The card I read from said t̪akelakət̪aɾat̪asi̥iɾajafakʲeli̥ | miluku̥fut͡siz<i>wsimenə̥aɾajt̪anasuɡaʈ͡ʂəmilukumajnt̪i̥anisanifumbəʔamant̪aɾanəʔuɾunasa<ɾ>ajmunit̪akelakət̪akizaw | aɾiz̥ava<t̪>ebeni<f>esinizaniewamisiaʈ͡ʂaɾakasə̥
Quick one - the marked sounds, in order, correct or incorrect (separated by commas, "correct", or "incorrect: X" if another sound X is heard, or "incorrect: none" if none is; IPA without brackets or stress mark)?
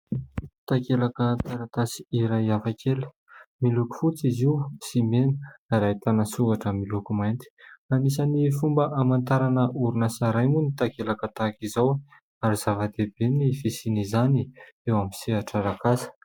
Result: correct, correct, incorrect: d̪, correct